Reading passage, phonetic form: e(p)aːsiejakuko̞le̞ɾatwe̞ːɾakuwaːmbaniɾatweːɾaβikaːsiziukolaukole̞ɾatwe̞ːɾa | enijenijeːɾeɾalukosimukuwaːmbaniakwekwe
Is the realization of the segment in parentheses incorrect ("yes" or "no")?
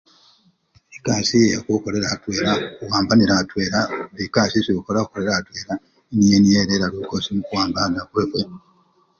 yes